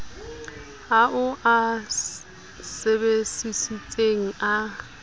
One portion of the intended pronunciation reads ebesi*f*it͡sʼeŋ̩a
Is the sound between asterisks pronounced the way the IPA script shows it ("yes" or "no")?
no